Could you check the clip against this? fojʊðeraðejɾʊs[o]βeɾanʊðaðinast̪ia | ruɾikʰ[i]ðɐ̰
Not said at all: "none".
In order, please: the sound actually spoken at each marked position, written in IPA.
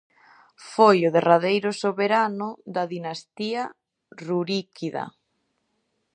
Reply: o, i

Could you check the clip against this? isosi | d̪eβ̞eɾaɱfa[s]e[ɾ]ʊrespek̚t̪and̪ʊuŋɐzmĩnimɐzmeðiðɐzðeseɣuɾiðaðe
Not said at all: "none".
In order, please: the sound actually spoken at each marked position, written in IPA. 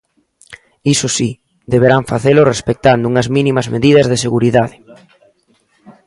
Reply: θ, l

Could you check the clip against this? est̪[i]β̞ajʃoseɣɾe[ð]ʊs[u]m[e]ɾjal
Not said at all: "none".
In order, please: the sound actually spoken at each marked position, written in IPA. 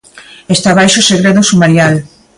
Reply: a, ð, u, a

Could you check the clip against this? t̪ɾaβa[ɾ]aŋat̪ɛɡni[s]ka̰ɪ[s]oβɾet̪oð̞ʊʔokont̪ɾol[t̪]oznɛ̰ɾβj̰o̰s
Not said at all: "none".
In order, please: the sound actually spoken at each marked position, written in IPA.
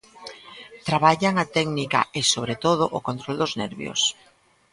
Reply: ʎ, none, s, d̪

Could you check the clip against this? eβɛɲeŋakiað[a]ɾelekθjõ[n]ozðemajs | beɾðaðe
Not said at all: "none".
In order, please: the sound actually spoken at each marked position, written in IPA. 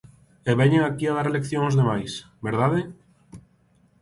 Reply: a, ŋ

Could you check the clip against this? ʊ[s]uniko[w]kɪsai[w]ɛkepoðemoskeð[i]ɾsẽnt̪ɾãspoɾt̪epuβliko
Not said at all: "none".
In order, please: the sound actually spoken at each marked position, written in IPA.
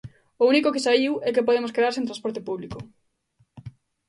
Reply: none, none, w, a

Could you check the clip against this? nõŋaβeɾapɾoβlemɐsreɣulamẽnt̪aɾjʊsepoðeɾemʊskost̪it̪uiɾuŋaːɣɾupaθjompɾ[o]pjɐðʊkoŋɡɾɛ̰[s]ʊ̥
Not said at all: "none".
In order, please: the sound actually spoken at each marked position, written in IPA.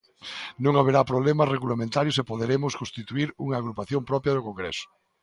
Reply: ɔ, s

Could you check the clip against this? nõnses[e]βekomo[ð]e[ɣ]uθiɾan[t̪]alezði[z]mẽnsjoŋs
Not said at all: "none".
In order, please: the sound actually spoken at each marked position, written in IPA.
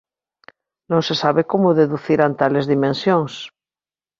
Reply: a, ð, ð, t̪, none

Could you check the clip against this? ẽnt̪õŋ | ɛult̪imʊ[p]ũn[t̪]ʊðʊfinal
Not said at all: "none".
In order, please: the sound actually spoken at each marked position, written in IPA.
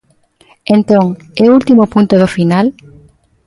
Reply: p, t̪

